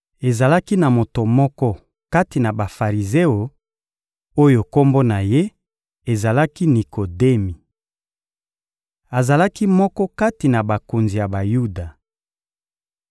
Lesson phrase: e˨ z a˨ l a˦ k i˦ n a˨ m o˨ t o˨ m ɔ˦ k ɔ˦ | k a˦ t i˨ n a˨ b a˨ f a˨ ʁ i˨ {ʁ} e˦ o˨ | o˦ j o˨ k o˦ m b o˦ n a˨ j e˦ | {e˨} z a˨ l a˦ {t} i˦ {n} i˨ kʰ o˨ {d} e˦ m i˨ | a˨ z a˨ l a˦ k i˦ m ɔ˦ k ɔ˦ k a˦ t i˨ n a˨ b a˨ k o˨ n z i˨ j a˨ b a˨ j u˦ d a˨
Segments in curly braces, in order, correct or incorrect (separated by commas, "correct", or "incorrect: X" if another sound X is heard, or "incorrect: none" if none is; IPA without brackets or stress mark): incorrect: z, correct, incorrect: k, correct, correct